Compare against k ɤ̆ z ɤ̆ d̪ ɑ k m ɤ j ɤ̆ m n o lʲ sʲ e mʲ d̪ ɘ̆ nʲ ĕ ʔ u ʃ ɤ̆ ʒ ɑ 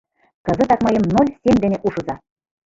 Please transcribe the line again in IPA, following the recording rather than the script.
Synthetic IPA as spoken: k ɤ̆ z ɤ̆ t̪ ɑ k m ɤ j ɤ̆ m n o lʲ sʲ e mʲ d̪ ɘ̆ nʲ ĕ ʔ u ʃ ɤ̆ z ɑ